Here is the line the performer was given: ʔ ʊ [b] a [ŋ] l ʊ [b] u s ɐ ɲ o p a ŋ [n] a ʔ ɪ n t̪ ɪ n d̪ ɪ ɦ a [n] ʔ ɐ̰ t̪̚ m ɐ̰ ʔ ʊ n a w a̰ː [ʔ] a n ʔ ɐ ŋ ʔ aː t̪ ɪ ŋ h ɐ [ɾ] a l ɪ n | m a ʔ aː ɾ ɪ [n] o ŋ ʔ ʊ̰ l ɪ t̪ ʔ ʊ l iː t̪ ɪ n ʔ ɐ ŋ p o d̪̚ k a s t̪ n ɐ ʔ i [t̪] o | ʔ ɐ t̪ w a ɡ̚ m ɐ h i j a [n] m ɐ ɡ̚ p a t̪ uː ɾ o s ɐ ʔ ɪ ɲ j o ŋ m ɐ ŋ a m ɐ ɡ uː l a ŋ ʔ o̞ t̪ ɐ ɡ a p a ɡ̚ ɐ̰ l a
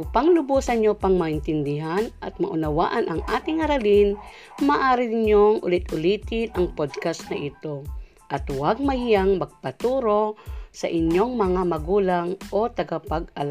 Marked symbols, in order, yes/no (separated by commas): no, yes, yes, no, yes, yes, yes, no, yes, no